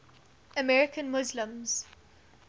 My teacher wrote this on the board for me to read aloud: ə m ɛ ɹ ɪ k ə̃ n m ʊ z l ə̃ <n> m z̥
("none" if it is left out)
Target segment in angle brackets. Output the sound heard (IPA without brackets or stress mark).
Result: none